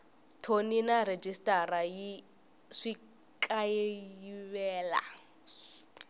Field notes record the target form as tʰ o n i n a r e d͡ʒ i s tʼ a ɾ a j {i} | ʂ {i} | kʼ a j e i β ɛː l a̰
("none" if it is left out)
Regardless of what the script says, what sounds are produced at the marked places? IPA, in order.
i, i

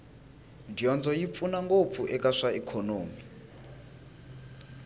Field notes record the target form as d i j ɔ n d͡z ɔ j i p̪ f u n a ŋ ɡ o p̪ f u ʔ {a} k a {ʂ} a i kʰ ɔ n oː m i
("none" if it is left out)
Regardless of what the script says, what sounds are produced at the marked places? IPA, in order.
ɛ, ʂ

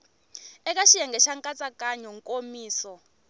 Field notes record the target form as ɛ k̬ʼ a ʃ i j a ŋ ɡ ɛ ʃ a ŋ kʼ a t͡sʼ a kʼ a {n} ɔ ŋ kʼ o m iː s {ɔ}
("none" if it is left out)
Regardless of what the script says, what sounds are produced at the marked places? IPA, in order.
ɲ, ɔ

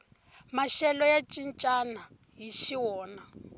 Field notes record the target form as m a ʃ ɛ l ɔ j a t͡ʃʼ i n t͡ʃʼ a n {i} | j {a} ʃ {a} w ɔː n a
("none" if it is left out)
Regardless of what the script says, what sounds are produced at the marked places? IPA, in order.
a, i, i

